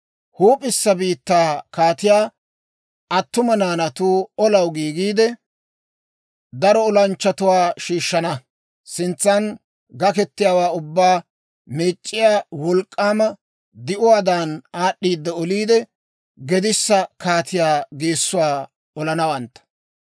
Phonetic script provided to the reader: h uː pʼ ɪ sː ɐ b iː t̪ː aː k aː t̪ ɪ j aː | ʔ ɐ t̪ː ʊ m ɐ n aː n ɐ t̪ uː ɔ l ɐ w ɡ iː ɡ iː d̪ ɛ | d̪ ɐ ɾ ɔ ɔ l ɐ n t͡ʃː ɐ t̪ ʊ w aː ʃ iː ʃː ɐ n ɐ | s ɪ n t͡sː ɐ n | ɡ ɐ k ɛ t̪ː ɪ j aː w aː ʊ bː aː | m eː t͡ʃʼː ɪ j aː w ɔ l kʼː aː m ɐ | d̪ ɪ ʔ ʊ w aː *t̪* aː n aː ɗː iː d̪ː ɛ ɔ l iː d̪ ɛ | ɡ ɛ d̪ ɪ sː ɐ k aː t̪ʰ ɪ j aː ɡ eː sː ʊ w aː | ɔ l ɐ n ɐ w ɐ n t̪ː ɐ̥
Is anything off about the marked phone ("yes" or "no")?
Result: yes